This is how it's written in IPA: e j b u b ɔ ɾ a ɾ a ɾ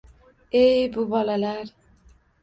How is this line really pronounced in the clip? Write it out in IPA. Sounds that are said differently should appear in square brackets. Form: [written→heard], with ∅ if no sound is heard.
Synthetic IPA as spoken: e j b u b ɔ [ɾ→l] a [ɾ→l] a ɾ